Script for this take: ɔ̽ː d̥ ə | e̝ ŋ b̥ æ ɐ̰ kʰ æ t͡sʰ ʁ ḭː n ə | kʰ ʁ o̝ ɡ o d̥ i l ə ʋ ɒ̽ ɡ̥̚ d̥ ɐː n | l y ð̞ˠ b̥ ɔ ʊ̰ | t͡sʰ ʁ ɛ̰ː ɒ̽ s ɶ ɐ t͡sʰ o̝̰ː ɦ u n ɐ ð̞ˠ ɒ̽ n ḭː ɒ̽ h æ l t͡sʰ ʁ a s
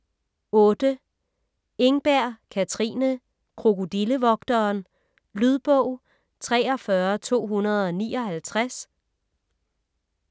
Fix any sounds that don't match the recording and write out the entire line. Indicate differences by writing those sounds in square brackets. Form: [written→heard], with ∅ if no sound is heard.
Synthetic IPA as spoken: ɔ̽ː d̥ ə | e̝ ŋ b̥ æ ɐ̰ kʰ æ t͡sʰ ʁ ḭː n ə | kʰ ʁ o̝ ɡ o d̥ i l ə ʋ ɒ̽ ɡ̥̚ d̥ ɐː n | l y ð̞ˠ b̥ ɔ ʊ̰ | t͡sʰ ʁ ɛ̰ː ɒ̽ [s→f] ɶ ɐ t͡sʰ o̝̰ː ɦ u n ɐ ð̞ˠ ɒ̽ n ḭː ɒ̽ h æ l t͡sʰ ʁ a s